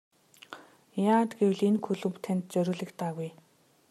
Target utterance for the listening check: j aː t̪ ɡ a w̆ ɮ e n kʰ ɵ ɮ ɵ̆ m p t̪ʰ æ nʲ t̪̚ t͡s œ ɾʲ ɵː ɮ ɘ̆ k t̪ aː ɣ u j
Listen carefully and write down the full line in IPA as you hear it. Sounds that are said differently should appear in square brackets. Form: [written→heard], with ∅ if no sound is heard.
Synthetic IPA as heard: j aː t̪ ɡ [a→e] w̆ ɮ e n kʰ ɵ ɮ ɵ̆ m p t̪ʰ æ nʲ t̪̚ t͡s œ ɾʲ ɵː ɮ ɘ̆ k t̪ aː ɣ u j